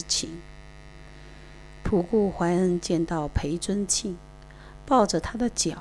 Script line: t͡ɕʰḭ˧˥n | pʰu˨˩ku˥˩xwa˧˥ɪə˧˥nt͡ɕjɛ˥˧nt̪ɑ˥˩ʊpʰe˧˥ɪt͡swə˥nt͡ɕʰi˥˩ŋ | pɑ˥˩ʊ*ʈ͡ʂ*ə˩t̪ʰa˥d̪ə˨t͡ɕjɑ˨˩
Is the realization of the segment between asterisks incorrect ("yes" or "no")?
no